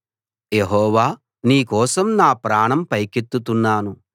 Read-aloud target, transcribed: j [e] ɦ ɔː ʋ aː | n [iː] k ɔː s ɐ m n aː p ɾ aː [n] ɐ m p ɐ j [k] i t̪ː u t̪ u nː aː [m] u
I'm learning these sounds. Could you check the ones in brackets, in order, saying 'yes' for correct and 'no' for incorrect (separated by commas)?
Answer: yes, yes, no, yes, no